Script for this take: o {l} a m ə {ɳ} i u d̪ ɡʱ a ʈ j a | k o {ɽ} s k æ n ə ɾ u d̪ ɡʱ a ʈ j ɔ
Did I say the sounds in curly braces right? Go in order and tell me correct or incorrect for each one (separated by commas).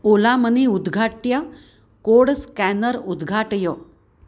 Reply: correct, incorrect, correct